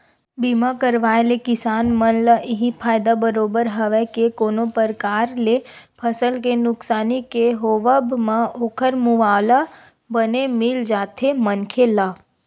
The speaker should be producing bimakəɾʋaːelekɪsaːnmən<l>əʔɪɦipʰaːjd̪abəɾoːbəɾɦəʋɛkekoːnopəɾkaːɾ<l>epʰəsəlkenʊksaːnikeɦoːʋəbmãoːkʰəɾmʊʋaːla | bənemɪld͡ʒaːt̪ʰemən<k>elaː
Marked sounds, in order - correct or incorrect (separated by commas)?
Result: correct, correct, incorrect